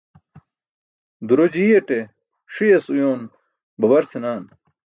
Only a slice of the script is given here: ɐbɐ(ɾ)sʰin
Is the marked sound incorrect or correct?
correct